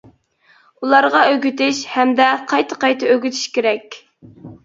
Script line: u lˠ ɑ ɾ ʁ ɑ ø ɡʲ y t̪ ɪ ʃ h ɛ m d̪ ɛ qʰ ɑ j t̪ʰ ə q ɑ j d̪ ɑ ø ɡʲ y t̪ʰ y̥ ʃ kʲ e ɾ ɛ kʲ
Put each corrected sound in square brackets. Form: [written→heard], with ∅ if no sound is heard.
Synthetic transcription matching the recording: u lˠ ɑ ɾ ʁ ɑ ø ɡʲ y t̪ ɪ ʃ h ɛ m d̪ ɛ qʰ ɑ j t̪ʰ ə q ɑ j [d̪→t̪] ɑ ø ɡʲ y t̪ʰ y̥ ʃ kʲ e ɾ ɛ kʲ